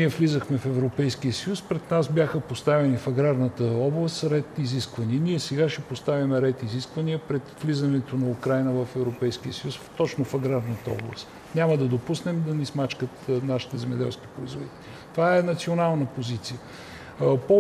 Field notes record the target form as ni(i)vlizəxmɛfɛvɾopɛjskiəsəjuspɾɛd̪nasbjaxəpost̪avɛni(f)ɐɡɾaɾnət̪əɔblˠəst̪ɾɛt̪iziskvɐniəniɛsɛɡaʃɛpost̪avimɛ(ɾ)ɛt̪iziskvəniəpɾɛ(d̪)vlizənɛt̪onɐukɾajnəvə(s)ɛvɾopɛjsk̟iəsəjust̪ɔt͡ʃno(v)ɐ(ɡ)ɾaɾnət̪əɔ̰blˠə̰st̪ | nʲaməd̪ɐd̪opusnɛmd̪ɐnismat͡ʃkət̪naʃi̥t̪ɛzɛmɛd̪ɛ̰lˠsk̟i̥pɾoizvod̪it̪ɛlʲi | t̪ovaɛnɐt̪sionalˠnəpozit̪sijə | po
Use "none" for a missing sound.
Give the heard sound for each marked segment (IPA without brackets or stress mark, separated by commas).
ɛ, f, ɾ, t̪, f, f, ɡ